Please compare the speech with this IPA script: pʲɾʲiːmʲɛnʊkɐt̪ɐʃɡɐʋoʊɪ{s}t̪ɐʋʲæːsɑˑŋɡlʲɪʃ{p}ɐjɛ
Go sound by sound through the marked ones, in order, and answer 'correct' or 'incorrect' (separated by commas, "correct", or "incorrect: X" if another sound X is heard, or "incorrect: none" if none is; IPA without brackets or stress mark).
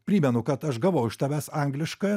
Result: incorrect: ʃ, incorrect: k